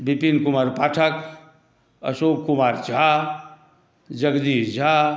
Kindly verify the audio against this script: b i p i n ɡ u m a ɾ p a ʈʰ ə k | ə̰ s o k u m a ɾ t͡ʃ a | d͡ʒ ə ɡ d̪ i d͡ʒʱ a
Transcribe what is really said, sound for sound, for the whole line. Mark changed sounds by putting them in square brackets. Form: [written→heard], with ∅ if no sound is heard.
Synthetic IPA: b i p i n [ɡ→k] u m a ɾ p a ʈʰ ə k | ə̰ s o k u m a ɾ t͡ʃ a | d͡ʒ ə ɡ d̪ i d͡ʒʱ a

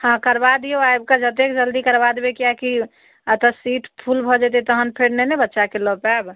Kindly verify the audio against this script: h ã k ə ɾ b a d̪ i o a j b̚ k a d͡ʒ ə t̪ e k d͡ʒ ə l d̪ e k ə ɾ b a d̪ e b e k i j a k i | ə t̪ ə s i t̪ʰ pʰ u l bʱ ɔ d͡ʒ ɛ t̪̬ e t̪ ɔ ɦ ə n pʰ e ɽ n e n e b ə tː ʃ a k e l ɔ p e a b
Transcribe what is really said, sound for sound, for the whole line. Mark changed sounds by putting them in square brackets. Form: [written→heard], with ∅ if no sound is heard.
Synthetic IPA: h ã k ə ɾ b a d̪ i o a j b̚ k a d͡ʒ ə t̪ e k d͡ʒ ə l d̪ [e→i] k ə ɾ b a d̪ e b e k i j a k i | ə t̪ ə s i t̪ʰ pʰ u l bʱ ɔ d͡ʒ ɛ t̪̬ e t̪ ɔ ɦ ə n pʰ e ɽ n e n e b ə tː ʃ a k e l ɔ p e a b

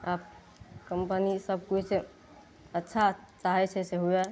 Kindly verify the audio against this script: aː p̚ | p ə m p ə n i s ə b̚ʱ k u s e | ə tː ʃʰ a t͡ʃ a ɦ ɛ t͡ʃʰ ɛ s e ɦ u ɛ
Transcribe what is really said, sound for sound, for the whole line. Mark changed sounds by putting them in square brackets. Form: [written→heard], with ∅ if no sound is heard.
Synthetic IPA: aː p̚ | [p→k] ə m p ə n i s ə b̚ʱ k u s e | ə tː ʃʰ a t͡ʃ a ɦ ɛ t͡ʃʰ ɛ s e ɦ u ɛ

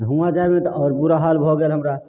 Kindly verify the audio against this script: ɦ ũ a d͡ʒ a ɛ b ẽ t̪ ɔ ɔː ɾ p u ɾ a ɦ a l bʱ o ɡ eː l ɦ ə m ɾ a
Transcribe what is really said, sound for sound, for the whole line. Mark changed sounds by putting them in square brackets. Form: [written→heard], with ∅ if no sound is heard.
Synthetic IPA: ɦ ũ a d͡ʒ a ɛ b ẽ t̪ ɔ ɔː ɾ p u ɾ a ɦ a l bʱ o ɡ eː l ɦ ə m ɾ a

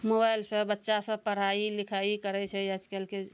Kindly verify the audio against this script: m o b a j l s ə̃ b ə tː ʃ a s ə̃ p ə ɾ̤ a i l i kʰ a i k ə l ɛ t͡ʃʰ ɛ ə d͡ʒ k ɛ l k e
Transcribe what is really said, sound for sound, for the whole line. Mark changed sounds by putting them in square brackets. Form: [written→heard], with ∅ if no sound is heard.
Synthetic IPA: m o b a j l s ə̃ b ə tː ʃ a s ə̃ p ə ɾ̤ a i l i kʰ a i k ə [l→ɾ] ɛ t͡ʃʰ ɛ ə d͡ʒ k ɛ l k e

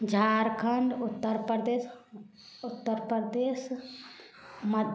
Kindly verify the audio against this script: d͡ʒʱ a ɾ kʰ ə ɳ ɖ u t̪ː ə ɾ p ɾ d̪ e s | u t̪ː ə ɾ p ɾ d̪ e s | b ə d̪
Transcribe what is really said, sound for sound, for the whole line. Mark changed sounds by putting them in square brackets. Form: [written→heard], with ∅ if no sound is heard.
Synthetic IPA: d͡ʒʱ a ɾ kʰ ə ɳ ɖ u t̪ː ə ɾ p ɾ d̪ e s | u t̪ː ə ɾ p ɾ d̪ e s | [b→m] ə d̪

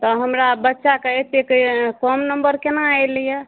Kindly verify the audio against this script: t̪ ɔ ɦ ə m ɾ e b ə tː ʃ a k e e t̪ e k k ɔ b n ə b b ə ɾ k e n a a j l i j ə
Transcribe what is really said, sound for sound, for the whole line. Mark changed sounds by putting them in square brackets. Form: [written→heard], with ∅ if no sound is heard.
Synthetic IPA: t̪ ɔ ɦ ə m ɾ [e→a] b ə tː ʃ a k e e t̪ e k k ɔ [b→m] n ə [b→m] b ə ɾ k e n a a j l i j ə

